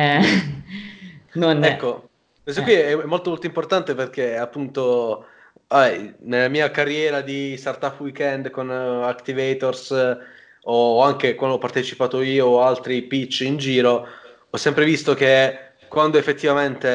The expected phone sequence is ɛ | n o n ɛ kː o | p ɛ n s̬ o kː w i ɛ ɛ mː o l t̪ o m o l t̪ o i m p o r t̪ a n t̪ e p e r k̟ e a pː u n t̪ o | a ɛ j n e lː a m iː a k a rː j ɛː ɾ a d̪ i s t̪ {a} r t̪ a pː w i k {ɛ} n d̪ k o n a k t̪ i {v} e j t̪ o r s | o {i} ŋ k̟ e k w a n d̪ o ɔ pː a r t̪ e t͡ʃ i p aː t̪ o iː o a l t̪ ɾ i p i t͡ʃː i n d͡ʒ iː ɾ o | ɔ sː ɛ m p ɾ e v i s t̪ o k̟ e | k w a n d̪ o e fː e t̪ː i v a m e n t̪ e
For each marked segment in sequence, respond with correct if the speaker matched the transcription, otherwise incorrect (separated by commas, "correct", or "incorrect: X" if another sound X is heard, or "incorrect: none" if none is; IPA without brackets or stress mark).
correct, correct, correct, incorrect: a